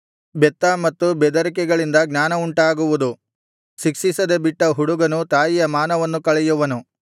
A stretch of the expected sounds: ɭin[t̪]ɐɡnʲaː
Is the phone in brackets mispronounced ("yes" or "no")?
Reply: yes